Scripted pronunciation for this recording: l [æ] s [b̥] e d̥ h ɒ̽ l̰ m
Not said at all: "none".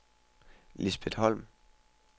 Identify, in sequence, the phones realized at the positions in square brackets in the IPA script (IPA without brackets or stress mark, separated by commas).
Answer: i, b̥